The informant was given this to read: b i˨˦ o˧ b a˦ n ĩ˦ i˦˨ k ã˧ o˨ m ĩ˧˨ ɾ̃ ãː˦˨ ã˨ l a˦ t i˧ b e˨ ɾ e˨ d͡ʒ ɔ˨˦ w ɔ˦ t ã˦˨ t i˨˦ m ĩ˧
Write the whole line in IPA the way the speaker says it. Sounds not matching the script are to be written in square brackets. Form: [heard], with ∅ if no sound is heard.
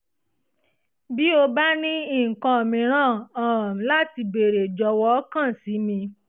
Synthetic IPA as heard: b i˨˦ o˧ b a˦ n ĩ˦ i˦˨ k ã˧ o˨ m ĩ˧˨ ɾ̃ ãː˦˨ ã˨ l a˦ t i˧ b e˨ ɾ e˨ d͡ʒ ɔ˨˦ w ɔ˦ [k] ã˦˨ [s] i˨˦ m ĩ˧